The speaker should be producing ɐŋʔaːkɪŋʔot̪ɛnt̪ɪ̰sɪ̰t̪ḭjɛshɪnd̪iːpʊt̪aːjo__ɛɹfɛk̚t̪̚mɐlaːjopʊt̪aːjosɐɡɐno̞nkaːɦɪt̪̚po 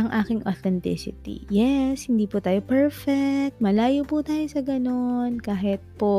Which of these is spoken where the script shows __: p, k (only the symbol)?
p